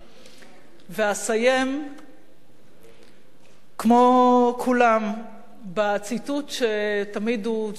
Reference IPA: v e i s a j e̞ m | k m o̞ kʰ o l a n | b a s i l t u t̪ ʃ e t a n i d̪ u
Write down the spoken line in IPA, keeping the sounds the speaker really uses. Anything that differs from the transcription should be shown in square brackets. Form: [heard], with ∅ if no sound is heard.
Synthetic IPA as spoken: v e [a] s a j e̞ m | k m o̞ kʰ [u] l a [m] | b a [t͡s] i [∅] t u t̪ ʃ e t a [m] i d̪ u